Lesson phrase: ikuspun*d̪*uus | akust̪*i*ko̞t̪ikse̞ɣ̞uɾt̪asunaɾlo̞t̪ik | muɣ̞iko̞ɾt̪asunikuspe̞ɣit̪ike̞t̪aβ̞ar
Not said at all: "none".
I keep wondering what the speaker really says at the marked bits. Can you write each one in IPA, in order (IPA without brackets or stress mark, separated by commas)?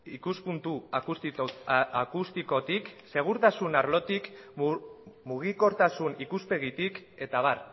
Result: t̪, i